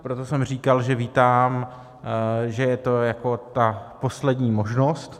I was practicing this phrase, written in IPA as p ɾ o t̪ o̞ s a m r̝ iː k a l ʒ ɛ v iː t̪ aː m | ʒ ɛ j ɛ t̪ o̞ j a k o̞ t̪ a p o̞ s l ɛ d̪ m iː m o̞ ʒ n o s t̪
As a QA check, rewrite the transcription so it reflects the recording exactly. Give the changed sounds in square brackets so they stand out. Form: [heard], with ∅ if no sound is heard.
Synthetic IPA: p ɾ o t̪ o̞ s [ɛ] m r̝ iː k a l ʒ ɛ v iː t̪ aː m | ʒ ɛ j ɛ t̪ o̞ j a k o̞ t̪ a p o̞ s l ɛ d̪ [ɲ] iː m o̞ ʒ n o s t̪